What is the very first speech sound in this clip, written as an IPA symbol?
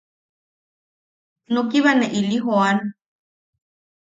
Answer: n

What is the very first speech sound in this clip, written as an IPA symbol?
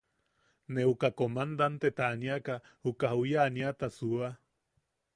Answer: n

